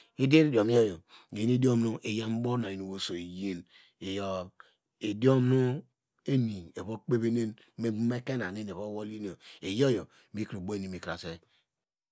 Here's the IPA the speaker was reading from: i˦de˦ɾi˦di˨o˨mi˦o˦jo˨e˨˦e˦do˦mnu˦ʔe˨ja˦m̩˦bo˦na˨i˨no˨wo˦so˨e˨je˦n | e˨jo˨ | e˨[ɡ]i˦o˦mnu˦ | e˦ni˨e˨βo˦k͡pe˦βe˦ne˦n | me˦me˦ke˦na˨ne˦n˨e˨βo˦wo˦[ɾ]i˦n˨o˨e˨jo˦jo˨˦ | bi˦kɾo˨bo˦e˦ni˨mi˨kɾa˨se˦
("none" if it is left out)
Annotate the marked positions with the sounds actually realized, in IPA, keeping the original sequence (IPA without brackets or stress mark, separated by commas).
d, l